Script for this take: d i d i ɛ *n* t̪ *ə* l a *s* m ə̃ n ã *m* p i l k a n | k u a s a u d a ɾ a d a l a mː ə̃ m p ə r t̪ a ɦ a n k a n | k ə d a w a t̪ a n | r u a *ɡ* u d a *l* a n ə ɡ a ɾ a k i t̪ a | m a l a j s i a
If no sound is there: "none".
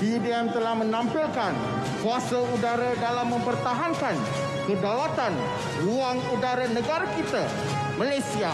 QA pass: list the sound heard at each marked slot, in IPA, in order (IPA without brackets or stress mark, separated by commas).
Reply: m, ə, h, m, ŋ, ɾ